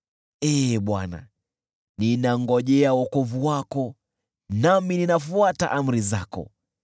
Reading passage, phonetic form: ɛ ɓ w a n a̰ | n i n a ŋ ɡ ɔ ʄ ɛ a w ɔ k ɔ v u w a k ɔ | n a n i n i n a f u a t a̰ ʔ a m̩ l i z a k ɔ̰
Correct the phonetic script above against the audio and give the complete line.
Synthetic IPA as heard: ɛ ɓ w a n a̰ | n i n a ŋ ɡ ɔ ʄ ɛ a w ɔ k ɔ v u w a k ɔ | n a m i n i n a f u a t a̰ ʔ a m̩ ɾ i z a k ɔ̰